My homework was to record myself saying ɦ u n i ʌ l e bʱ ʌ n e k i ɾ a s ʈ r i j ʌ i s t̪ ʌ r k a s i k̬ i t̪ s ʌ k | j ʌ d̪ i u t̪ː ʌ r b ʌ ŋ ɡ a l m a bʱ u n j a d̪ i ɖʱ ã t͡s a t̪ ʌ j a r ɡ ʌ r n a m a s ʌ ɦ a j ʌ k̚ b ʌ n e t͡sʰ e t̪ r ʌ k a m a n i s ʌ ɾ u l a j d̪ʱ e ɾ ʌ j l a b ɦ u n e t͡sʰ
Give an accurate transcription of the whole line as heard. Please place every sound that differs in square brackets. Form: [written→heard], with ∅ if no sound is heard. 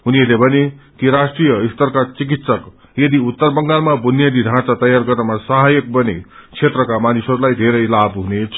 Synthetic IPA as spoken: ɦ u n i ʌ l e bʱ ʌ n e k i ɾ a s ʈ r i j ʌ i s t̪ ʌ r k a [s→t͡s] i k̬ i t̪ s ʌ k | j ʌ d̪ i u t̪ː ʌ r b ʌ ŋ ɡ a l m a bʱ u n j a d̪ i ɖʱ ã t͡s a t̪ ʌ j a r ɡ ʌ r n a m a s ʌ ɦ a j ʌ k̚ b ʌ n e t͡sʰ e t̪ r ʌ k a m a n i s ʌ ɾ u l a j d̪ʱ e ɾ ʌ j l a b ɦ u n e t͡sʰ